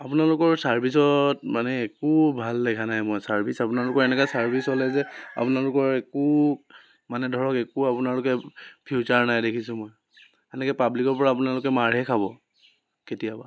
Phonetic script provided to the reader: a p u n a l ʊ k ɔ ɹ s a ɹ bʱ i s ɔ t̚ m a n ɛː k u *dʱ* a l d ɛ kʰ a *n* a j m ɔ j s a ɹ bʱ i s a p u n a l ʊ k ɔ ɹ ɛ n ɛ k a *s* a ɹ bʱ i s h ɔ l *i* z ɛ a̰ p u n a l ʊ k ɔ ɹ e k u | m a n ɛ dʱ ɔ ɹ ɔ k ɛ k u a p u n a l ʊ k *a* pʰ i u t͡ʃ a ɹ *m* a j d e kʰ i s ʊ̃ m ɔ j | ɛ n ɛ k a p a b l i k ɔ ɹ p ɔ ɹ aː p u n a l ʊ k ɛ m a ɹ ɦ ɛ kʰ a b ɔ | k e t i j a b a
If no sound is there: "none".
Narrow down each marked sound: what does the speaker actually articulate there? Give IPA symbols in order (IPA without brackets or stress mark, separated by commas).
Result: bʱ, n, s, ɛ, ɛ, n